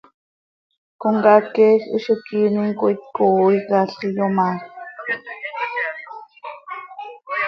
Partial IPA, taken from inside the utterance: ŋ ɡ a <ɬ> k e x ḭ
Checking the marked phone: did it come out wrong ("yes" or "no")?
yes